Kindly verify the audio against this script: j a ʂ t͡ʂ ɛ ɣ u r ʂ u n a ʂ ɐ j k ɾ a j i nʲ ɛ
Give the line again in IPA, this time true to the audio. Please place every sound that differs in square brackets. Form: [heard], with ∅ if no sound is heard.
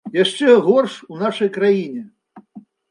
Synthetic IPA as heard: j a ʂ t͡ʂ ɛ ɣ [ɔ] r ʂ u n a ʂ ɐ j k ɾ a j i nʲ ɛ